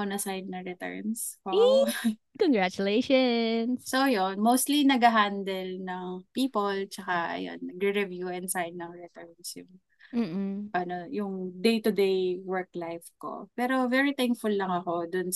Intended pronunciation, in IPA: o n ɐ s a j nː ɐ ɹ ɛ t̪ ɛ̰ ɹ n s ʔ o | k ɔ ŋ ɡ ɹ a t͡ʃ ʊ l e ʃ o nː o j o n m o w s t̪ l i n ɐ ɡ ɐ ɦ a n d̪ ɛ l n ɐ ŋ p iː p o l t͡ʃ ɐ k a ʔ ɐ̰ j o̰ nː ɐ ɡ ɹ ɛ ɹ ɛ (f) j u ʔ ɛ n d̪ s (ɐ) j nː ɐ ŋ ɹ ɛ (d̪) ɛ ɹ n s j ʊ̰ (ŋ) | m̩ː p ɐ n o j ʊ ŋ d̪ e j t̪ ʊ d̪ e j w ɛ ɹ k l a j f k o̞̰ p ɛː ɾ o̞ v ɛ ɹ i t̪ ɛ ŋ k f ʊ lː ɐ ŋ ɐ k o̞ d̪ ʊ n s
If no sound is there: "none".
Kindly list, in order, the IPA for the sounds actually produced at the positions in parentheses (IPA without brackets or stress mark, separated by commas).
v, a, t̪, ŋ